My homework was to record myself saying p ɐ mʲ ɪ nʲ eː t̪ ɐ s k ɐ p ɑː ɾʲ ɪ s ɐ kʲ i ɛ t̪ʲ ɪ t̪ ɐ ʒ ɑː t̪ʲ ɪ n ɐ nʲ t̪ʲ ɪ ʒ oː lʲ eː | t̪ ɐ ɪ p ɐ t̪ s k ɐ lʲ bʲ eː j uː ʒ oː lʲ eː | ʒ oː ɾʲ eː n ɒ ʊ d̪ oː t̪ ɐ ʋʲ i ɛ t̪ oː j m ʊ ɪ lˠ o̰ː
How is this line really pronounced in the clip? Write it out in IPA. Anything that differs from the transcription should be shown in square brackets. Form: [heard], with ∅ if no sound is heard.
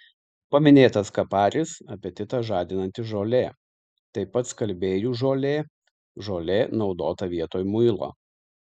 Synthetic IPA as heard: p ɐ mʲ ɪ nʲ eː t̪ ɐ s k ɐ p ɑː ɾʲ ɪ s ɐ [pʲ] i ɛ t̪ʲ ɪ t̪ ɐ ʒ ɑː [d̪ʲ] ɪ n ɐ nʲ t̪ʲ ɪ ʒ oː lʲ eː | t̪ ɐ ɪ p ɐ t̪ s k ɐ lʲ bʲ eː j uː ʒ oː lʲ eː | ʒ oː [lʲ] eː n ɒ ʊ d̪ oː t̪ ɐ ʋʲ i ɛ t̪ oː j m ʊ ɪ lˠ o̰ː